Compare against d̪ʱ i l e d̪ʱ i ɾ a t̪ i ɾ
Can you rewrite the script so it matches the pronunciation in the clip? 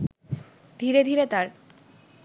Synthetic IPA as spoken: d̪ʱ i ɾ e d̪ʱ i ɾ e t̪ a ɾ